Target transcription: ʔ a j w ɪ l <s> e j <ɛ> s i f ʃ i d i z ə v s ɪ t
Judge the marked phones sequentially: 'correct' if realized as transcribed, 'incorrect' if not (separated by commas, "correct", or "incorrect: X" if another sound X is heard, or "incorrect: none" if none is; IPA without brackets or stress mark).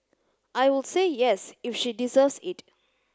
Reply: correct, correct